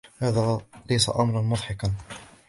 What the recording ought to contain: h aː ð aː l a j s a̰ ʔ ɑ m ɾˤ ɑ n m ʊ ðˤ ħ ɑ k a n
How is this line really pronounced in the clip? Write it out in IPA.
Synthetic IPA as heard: h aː ð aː l a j s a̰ ʔ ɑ m ɾˤ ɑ n m ʊ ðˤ ħ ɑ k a n